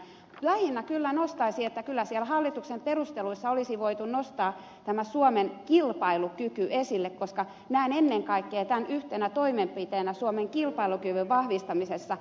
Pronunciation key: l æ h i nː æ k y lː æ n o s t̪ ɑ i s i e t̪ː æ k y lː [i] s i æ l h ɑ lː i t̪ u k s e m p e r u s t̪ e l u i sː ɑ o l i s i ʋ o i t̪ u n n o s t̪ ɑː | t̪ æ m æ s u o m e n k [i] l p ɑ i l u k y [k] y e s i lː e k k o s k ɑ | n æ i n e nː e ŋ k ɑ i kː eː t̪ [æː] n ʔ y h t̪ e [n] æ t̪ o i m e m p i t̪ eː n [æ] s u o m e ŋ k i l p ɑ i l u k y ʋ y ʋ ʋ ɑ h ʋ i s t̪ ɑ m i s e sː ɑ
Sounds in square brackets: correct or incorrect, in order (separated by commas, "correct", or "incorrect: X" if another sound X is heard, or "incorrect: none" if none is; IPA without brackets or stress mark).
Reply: incorrect: æ, correct, correct, incorrect: æ, correct, correct